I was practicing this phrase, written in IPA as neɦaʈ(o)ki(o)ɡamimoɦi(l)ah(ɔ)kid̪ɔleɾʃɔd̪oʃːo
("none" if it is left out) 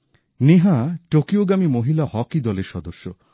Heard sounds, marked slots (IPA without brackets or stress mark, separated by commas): o, o, l, ɔ